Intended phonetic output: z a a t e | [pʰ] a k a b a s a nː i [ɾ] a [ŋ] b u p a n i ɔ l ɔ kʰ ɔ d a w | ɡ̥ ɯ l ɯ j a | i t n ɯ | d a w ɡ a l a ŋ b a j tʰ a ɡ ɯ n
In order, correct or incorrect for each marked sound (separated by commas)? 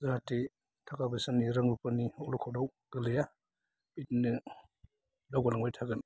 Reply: incorrect, correct, correct